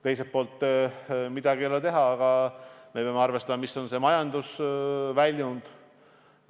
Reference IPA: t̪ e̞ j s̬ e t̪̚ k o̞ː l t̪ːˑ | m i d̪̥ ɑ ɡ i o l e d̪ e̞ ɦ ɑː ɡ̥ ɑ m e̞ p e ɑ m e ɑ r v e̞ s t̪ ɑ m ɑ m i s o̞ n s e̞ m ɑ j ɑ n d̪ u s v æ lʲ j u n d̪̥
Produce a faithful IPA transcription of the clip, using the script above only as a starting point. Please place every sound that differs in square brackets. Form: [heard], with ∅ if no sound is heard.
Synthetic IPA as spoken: t̪ e̞ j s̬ e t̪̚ [p] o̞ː l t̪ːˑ | m i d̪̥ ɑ ɡ i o l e [t̪] e̞ ɦ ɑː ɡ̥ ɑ m e̞ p e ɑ m e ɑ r v e̞ s t̪ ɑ m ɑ m i s o̞ n s e̞ m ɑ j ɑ n d̪ u s v æ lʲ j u n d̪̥